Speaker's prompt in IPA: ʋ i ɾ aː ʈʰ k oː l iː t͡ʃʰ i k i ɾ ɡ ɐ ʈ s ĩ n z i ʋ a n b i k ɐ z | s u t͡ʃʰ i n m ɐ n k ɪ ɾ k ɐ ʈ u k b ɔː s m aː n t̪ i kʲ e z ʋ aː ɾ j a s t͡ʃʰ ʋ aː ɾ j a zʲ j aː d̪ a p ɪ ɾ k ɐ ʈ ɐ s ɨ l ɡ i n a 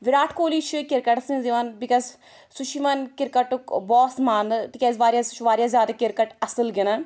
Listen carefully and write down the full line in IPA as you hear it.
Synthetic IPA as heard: ʋ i ɾ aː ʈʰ k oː l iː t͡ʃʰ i k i ɾ k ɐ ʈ s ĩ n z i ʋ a n b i k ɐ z | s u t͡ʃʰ i m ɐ n k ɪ ɾ k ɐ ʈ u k b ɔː s m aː n t̪ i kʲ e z ʋ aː ɾ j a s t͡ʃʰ ʋ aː ɾ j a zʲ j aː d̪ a k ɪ ɾ k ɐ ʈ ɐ s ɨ l ɡ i n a